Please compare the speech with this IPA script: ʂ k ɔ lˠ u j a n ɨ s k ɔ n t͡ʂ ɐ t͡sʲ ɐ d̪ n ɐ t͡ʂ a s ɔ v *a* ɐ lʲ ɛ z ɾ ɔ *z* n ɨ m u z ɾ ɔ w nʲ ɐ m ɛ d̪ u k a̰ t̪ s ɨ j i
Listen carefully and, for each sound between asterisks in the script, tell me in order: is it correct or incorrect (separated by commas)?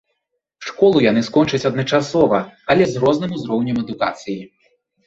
incorrect, correct